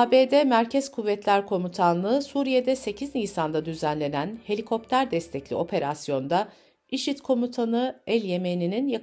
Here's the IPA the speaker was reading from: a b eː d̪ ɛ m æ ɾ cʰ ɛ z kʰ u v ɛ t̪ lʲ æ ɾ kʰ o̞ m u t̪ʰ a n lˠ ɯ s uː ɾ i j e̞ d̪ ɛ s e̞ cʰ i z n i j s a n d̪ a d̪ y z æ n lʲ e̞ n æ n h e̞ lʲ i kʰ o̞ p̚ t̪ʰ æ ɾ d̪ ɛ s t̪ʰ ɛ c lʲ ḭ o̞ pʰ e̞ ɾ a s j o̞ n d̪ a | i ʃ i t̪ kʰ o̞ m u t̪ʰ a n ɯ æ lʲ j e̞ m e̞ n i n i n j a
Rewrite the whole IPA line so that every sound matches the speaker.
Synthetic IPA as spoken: a b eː d̪ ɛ m æ ɾ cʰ ɛ z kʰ u vː ɛ t̪ lʲ æ ɾ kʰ o̞ m u t̪ʰ a n lˠ ɯ s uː ɾ i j e̞ d̪ ɛ s e̞ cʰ i z n i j s a n d̪ a d̪ y z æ n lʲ e̞ n æ n h e̞ lʲ i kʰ o̞ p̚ t̪ʰ æ ɾ d̪ ɛ s t̪ʰ ɛ c lʲ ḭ o̞ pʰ e̞ ɾ a s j o̞ n d̪ a | i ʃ i t̪ kʰ o̞ m u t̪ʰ a n ɯ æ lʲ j e̞ m e̞ n i n i n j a